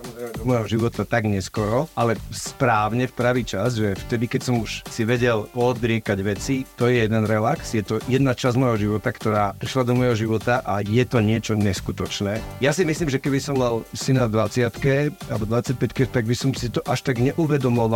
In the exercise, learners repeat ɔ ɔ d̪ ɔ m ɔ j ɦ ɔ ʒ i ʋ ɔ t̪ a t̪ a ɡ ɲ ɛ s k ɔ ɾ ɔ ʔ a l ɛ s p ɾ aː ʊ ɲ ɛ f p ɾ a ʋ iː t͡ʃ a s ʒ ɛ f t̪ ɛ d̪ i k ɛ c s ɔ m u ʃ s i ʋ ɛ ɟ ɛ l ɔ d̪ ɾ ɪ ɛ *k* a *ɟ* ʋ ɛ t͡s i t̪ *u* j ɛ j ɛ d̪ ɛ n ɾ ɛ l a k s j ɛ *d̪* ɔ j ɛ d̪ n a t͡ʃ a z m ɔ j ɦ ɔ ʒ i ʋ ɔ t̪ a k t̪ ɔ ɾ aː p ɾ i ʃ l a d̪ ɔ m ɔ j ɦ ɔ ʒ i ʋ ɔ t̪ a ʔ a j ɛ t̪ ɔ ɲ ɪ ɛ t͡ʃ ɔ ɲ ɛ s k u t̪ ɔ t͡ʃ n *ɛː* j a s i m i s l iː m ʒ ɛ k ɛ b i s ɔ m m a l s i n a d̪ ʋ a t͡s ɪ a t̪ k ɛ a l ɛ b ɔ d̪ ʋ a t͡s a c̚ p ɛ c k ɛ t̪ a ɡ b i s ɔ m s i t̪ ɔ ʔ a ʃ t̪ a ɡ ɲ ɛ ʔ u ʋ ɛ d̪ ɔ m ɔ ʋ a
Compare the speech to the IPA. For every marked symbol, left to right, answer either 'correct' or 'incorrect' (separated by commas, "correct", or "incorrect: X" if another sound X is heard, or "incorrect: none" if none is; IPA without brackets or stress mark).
correct, correct, incorrect: ɔ, incorrect: t̪, correct